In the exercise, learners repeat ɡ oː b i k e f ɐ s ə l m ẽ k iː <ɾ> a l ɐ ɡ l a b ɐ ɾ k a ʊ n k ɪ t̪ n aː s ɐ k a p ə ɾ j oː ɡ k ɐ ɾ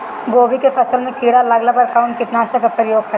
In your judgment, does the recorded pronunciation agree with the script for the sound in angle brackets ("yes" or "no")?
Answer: no